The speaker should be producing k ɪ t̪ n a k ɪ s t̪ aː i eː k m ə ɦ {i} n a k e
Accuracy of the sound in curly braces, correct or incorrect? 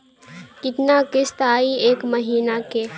incorrect